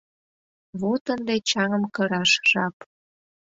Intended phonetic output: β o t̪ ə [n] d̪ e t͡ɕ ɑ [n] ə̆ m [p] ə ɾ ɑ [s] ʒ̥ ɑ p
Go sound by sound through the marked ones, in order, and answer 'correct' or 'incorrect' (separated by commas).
correct, incorrect, incorrect, incorrect